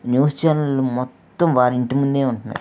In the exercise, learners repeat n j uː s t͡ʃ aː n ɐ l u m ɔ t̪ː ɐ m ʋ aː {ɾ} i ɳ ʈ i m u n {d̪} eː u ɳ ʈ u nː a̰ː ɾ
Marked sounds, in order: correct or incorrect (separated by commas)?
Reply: correct, correct